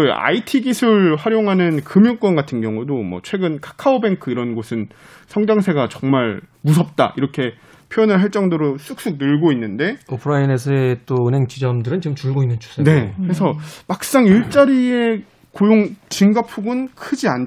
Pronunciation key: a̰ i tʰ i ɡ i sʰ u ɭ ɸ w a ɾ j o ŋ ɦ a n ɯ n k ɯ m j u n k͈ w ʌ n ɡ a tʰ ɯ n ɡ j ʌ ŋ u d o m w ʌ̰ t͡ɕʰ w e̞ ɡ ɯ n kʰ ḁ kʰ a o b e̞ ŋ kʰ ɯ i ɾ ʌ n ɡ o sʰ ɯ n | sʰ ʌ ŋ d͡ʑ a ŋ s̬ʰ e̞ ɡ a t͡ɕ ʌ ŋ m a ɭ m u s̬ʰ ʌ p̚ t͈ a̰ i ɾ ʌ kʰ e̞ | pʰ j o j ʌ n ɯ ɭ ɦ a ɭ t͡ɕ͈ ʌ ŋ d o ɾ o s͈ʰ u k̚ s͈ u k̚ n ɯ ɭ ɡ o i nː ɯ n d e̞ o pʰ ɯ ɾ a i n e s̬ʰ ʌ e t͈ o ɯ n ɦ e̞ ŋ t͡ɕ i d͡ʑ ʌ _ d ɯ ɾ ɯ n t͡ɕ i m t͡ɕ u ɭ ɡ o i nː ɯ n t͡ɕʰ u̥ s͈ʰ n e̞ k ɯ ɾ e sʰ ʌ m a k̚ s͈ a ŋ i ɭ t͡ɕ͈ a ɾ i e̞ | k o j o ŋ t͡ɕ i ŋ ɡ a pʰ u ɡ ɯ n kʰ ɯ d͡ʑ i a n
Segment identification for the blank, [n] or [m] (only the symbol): m